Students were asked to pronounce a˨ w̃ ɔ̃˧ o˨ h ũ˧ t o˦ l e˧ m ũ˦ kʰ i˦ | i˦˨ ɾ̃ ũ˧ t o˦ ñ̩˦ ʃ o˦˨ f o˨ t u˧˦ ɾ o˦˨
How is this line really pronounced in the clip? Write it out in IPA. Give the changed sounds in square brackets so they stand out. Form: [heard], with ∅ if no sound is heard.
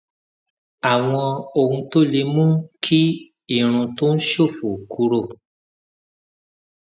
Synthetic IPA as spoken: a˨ w̃ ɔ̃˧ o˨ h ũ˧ t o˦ l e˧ m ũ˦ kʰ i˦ | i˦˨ ɾ̃ ũ˧ t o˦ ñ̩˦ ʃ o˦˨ f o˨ [k] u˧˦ ɾ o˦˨